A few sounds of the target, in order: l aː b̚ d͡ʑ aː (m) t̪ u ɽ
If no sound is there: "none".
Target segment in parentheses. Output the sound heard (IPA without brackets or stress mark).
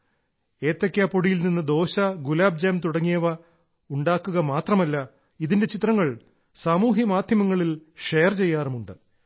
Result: m